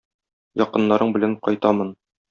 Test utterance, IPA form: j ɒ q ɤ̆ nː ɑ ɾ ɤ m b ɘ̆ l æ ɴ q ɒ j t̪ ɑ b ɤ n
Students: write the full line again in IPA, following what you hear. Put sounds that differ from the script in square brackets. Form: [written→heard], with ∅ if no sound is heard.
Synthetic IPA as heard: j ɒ q ɤ̆ nː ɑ ɾ ɤ [m→ɴ] b ɘ̆ l æ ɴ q ɒ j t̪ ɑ [b→m] ɤ n